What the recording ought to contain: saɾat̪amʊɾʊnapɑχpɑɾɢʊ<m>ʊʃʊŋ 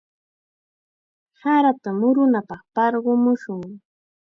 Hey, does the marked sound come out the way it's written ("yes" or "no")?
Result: yes